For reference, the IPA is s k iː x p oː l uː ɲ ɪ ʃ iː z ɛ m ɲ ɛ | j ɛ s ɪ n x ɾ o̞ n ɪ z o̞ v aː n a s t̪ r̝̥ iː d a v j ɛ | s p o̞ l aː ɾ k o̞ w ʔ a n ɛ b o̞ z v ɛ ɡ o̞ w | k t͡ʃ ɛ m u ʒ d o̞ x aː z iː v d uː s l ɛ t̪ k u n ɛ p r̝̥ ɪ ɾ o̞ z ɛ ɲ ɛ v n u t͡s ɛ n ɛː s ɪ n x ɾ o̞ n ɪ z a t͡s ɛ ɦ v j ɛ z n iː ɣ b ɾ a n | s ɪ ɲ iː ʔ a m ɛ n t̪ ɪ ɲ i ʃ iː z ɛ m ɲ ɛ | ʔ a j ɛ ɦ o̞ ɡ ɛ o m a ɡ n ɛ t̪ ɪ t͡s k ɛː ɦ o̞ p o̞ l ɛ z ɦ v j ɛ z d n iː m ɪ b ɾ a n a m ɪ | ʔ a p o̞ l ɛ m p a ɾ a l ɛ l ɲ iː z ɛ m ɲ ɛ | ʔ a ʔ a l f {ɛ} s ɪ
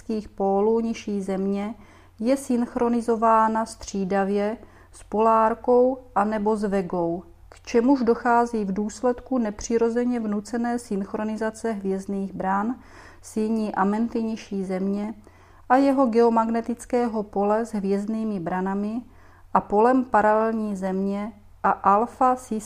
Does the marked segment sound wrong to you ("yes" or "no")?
yes